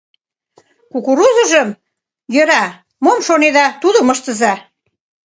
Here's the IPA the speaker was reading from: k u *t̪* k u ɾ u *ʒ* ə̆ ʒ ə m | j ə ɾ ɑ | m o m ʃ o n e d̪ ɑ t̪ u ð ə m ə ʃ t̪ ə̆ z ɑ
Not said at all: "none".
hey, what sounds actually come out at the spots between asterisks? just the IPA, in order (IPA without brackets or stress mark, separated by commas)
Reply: none, z